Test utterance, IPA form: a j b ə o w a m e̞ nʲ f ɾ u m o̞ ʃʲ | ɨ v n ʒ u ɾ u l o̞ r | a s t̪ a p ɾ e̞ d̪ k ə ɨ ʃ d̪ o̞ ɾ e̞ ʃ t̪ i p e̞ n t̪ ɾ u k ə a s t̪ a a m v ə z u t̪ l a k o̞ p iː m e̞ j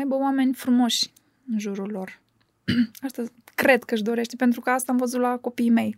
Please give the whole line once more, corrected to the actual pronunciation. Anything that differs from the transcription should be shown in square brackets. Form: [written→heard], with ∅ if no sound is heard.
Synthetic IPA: a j b ə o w a m e̞ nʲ f ɾ u m o̞ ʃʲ | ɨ [v→∅] n ʒ u ɾ u l o̞ r | a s t̪ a [p→k] ɾ e̞ d̪ k ə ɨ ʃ d̪ o̞ ɾ e̞ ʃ t̪ [i→e] p e̞ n t̪ ɾ u k ə a s t̪ a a m v ə z u t̪ l a k o̞ p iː m e̞ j